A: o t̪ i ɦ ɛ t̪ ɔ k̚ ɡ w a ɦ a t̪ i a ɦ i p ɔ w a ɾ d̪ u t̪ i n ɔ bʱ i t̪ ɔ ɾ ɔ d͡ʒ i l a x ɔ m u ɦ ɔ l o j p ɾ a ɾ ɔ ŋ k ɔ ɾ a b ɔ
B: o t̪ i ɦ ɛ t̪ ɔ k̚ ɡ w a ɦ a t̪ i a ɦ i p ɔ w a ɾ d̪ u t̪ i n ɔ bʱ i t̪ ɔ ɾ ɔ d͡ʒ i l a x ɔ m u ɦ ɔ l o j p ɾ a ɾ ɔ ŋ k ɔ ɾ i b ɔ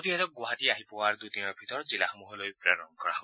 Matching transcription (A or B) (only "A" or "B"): A